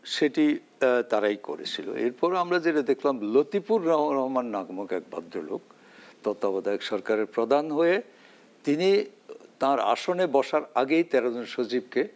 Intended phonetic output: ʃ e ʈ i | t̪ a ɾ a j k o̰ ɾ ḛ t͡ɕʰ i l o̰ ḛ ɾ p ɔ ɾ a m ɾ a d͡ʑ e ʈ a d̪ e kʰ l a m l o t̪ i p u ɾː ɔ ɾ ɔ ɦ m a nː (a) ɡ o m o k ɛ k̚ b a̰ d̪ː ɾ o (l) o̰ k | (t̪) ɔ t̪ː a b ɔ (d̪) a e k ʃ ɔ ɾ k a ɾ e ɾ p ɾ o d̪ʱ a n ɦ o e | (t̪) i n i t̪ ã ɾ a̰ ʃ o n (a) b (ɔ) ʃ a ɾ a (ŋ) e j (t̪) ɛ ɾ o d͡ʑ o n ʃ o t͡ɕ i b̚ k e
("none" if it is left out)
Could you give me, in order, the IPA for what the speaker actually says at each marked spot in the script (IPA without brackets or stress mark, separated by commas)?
a, l, t̪, d̪, t̪, e, ɔ, ɡ, t̪